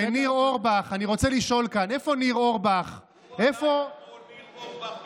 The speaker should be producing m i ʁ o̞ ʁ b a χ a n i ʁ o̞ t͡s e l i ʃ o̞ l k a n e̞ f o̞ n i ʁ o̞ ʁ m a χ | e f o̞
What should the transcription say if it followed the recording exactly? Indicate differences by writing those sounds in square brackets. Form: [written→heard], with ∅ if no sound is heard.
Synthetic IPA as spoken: [m→n] i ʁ o̞ ʁ b a χ a n i ʁ o̞ t͡s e l i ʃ o̞ l k a n e̞ f o̞ n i ʁ o̞ ʁ [m→b] a χ | e f o̞

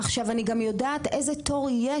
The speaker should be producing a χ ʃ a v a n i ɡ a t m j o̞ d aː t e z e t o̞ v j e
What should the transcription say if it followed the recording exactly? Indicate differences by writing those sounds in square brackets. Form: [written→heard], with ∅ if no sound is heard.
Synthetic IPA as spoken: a χ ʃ a v a n i ɡ a [t→∅] m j o̞ d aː t e z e t o̞ [v→ʁ] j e

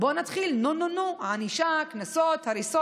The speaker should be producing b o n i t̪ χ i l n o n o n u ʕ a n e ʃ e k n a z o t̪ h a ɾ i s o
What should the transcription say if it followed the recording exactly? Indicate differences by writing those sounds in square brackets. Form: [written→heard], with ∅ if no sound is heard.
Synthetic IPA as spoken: b o n [i→a] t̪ χ i l n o n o n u ʕ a n [e→i] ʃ [e→a] k n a [z→s] o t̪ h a ɾ i s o

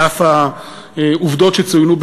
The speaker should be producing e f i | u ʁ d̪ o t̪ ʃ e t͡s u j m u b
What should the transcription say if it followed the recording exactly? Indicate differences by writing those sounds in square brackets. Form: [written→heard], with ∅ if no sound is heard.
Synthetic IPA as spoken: [e→a] f [i→a] | u [ʁ→v] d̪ o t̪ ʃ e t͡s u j [m→n] u b

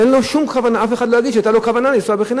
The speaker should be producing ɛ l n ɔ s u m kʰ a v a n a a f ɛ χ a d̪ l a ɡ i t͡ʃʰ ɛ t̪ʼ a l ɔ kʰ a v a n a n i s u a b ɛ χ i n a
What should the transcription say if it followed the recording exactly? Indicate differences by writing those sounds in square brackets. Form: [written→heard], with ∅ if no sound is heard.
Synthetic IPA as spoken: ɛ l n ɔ [s→ʃ] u m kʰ a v a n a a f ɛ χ a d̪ l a ɡ i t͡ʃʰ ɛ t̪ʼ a l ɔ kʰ a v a n a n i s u a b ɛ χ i n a

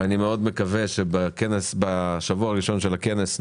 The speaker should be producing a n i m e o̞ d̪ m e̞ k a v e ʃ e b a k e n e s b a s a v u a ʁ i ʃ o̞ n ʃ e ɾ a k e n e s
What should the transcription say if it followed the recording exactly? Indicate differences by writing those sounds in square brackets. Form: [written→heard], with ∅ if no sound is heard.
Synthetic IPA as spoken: a n i m e o̞ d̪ m e̞ k a v e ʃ e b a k e n e s b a [s→ʃ] a v u a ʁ i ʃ o̞ n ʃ e [ɾ→l] a k e n e s

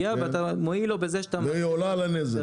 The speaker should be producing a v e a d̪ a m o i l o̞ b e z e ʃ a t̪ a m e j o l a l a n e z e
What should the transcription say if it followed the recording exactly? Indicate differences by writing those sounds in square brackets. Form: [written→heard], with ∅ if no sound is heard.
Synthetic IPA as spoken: a v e a [d̪→t̪] a m o i l o̞ b e z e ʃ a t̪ a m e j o l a l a n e z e

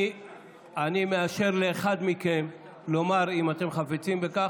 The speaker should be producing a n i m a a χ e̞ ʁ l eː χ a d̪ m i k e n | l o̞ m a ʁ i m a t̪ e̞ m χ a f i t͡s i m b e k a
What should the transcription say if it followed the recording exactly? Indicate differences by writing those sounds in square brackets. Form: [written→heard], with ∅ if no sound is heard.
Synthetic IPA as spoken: a n i m [a→e] a [χ→ʃ] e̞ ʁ l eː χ a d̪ m i k e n | l o̞ m a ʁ i m a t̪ e̞ m χ a f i t͡s i m b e k a

